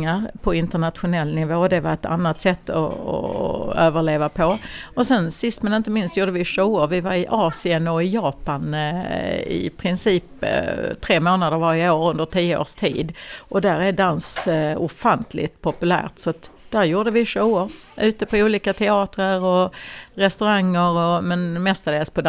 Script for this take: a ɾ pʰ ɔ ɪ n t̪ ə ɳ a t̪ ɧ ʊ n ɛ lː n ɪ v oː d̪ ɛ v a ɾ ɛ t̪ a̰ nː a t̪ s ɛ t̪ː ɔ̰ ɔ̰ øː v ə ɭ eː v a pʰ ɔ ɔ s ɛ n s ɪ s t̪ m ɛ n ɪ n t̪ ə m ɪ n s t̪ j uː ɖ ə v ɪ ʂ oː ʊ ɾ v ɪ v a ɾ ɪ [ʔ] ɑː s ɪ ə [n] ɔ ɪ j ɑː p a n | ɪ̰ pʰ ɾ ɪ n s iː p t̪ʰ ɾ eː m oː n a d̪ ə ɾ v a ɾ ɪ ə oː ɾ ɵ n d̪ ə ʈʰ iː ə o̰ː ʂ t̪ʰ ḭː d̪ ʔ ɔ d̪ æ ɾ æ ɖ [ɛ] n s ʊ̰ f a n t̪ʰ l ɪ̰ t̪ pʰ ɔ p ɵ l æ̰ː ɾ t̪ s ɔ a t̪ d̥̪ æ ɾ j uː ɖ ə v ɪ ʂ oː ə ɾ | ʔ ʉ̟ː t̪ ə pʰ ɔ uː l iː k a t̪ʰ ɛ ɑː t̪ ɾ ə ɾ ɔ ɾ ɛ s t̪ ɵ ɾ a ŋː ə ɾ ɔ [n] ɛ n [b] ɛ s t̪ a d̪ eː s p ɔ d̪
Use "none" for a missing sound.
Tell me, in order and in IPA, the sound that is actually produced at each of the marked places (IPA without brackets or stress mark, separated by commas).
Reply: ʔ, n, a, m, m